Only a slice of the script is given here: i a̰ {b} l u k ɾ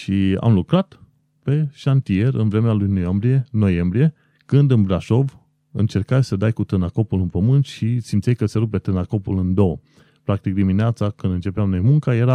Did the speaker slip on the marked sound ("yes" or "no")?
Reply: yes